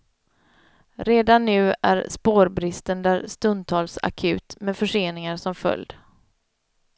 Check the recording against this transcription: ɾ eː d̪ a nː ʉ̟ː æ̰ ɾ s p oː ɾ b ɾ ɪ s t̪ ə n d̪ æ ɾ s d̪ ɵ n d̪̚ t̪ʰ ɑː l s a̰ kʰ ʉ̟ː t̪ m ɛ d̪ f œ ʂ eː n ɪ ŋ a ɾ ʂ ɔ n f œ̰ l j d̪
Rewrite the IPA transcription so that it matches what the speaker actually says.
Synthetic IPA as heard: ɾ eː d̪ a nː ʉ̟ː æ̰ ɾ s p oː ɾ b ɾ ɪ s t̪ ə n d̪ æ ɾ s t̪ ɵ n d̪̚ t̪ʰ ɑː l s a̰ kʰ ʉ̟ː t̪ m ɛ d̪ f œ ʂ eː n ɪ ŋ a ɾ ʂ ɔ m f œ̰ l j d̪